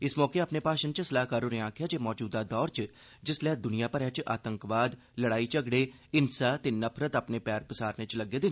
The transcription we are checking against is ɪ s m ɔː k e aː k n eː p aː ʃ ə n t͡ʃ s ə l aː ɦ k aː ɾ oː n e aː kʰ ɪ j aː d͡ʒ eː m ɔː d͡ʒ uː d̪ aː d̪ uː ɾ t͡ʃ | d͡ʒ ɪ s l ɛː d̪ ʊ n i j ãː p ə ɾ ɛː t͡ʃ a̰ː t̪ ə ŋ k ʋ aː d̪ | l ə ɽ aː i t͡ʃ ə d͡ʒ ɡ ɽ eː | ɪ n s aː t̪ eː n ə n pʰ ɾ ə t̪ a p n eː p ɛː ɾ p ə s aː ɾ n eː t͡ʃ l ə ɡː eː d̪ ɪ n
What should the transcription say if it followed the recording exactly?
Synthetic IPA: ɪ s m ɔː k e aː p n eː p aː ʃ ə n t͡ʃ s ə l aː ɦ k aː ɾ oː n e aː kʰ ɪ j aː d͡ʒ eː m ɔː d͡ʒ uː d̪ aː d̪ ɔː ɾ t͡ʃ | d͡ʒ ɪ s l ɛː d̪ ʊ n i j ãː p ə ɾ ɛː t͡ʃ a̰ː t̪ ə ŋ k ʋ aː d̪ | l ə ɽ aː i t͡ʃ ə ɡ ɽ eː | ɪ n s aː t̪ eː n ə pʰ ɾ ə t̪ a p n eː p ɛː ɾ p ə s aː ɾ n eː t͡ʃ l ə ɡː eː d̪ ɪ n